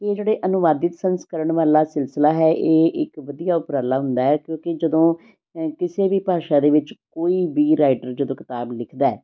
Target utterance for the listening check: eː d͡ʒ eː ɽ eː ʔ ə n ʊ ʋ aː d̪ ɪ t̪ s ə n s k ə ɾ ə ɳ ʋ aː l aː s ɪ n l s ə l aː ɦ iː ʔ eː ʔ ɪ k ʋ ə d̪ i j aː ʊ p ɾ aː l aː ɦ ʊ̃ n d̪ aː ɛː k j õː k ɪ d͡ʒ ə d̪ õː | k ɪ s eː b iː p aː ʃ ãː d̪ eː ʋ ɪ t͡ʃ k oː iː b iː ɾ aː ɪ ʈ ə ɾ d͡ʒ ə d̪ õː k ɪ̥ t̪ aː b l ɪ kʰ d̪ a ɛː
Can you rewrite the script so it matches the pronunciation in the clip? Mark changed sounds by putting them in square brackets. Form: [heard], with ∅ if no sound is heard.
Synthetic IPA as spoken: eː d͡ʒ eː ɽ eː ʔ ə n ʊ ʋ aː d̪ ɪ t̪ s ə n s k ə ɾ ə ɳ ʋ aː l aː s ɪ [∅] l s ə l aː ɦ [ɛː] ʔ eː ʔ ɪ k ʋ ə d̪ i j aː ʊ p ɾ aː l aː ɦ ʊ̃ n d̪ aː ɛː k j õː k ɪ d͡ʒ ə d̪ õː | k ɪ s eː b iː p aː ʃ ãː d̪ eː ʋ ɪ t͡ʃ k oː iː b iː ɾ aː ɪ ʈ ə ɾ d͡ʒ ə d̪ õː k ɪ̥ t̪ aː b l ɪ kʰ d̪ a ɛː